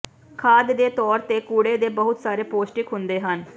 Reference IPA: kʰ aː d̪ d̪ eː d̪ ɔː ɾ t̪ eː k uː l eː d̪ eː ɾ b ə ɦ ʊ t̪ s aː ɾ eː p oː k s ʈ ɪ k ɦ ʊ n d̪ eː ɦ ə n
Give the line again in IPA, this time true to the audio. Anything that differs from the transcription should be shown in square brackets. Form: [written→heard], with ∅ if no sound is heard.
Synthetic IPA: kʰ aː d̪ d̪ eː [d̪→t̪] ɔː ɾ t̪ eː k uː [l→ɽ] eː d̪ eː [ɾ→∅] b ə ɦ ʊ t̪ s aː ɾ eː p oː [k→∅] s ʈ ɪ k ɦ ʊ n d̪ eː ɦ ə n

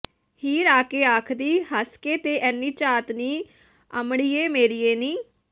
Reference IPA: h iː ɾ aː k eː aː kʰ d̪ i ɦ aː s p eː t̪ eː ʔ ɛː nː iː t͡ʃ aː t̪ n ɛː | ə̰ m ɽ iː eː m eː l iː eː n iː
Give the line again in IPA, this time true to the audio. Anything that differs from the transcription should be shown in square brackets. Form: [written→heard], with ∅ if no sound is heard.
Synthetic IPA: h iː ɾ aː k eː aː kʰ d̪ [i→iː] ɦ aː s [p→k] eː t̪ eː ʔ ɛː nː iː t͡ʃ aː t̪ n [ɛː→iː] | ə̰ m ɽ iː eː m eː [l→ɾ] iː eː n iː

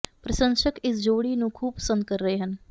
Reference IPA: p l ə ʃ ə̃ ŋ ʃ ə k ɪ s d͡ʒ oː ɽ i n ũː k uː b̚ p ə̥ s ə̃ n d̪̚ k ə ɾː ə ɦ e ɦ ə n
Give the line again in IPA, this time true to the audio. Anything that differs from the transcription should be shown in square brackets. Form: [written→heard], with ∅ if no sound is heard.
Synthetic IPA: p [l→ɾ] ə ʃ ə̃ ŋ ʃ ə k ɪ s d͡ʒ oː ɽ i n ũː [k→kʰ] uː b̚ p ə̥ s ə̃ n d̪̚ k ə ɾː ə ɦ e ɦ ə n

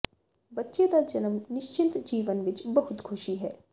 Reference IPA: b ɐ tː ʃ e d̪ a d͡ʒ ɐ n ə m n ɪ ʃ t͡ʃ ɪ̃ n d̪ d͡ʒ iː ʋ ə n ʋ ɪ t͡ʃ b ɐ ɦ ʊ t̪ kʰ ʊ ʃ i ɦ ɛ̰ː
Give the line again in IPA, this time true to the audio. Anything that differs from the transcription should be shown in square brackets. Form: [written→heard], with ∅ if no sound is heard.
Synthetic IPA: b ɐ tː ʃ e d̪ a d͡ʒ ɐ n ə m n ɪ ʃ t͡ʃ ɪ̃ n [d̪→t̪] d͡ʒ iː ʋ ə n ʋ ɪ t͡ʃ b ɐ ɦ ʊ t̪ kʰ ʊ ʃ i ɦ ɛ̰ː

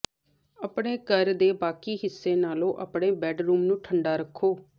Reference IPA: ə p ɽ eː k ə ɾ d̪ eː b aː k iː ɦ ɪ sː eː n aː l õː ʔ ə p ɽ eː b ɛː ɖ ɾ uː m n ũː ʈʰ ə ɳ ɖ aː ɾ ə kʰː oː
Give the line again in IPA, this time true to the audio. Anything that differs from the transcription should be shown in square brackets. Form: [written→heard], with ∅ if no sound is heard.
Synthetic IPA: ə p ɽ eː k ə ɾ d̪ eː b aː k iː ɦ ɪ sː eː n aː l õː ʔ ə p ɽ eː b ɛː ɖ ɾ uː m n ũː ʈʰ ə ɳ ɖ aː ɾ ə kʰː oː

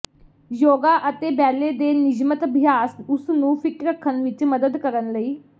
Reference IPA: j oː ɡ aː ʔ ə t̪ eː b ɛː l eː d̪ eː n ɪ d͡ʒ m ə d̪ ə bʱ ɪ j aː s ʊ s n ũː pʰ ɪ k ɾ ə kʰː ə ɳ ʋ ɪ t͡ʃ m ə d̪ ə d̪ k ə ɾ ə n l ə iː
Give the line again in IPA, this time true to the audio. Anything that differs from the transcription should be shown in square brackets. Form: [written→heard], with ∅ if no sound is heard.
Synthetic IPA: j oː ɡ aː ʔ ə t̪ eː b ɛː l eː d̪ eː n ɪ d͡ʒ m ə [d̪→t̪] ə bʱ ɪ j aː s ʊ s n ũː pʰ ɪ k ɾ ə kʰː ə [ɳ→n] ʋ ɪ t͡ʃ m ə d̪ ə d̪ k ə ɾ ə n l ə iː

